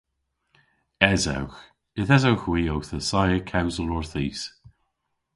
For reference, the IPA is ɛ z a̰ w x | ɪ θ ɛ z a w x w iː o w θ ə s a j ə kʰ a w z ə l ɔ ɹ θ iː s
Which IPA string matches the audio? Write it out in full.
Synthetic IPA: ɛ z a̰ w x | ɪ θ ɛ z a w x w iː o w θ ə s a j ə kʰ a w z ə l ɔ ɹ θ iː s